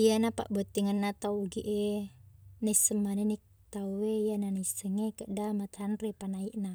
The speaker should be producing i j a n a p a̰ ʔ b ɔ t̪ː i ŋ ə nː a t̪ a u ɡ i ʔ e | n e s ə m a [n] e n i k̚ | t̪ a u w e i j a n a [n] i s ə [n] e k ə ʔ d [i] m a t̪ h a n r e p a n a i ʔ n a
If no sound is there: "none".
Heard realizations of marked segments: n, n, ŋ, a

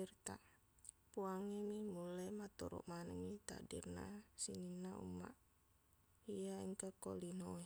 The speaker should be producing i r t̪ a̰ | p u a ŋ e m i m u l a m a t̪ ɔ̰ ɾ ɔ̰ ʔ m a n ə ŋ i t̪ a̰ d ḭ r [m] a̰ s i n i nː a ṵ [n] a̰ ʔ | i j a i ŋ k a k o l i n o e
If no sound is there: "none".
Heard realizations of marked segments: n, m

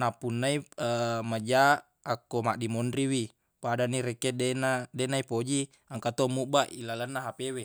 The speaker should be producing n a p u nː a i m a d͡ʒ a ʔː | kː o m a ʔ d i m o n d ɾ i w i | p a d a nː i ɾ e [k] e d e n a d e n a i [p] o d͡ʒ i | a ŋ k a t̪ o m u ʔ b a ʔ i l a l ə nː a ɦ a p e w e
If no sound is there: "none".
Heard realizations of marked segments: k, p

